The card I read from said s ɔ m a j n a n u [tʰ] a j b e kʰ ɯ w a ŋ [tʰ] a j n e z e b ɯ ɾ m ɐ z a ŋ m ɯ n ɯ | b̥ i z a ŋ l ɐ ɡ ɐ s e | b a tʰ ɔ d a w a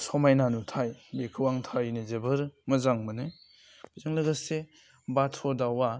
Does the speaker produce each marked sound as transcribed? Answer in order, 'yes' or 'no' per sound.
yes, yes

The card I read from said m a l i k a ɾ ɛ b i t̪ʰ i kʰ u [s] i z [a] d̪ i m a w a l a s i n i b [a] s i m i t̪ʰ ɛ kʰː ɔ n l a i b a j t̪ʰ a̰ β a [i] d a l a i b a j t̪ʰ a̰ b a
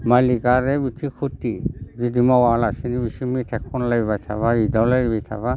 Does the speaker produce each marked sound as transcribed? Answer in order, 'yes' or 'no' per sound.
no, no, no, yes

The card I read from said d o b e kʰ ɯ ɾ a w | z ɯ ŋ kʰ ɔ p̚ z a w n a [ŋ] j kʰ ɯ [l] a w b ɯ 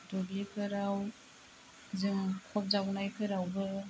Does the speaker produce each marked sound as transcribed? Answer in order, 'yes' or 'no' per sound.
no, no

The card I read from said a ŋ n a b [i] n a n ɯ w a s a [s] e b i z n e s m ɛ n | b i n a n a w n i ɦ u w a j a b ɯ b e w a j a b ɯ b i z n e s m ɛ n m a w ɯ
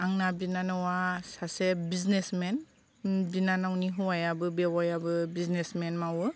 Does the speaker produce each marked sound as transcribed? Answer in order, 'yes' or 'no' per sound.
yes, yes

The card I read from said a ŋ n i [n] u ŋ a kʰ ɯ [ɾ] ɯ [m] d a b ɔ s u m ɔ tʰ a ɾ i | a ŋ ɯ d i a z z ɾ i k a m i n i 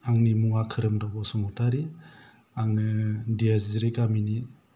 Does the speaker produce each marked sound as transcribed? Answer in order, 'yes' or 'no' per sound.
no, yes, yes

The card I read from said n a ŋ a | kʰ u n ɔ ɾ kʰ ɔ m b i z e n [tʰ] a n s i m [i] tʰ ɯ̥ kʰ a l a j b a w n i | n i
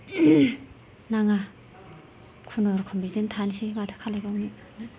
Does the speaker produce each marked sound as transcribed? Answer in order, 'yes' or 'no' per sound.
yes, no

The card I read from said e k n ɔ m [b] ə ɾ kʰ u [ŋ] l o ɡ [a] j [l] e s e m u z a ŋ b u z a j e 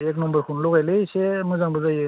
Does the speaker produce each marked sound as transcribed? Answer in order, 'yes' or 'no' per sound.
yes, no, yes, yes

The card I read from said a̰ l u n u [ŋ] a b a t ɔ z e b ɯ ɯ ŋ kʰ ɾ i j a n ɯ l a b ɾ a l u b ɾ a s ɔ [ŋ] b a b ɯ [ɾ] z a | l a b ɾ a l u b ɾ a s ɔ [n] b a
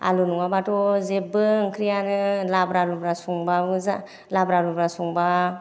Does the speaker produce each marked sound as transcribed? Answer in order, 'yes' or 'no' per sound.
yes, yes, no, no

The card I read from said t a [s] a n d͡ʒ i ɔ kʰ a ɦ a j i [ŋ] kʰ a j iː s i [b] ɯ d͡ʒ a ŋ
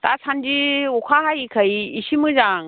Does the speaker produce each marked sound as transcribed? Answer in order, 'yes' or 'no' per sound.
yes, no, no

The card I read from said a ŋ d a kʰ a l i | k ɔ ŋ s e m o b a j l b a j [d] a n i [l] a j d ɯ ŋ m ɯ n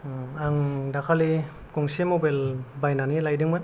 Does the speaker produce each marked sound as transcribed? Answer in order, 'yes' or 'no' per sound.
no, yes

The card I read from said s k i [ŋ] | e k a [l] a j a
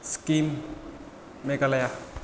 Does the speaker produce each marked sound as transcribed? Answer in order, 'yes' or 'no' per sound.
no, yes

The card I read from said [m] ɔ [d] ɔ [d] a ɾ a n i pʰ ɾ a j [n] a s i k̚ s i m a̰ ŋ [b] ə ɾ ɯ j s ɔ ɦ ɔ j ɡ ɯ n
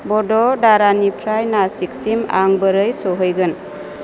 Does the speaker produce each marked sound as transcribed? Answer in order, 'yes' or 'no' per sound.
no, yes, yes, yes, yes

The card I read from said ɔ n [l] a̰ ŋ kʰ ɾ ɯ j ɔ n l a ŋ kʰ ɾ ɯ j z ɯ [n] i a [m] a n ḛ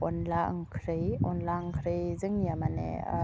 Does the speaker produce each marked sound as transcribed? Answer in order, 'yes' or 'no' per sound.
yes, no, yes

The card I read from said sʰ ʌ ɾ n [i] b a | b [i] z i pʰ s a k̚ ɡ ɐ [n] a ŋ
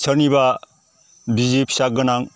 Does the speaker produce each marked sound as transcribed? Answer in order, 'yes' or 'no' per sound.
yes, yes, yes

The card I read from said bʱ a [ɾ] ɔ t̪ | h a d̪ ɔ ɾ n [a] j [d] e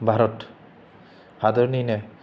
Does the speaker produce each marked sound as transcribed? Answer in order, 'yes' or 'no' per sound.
yes, no, no

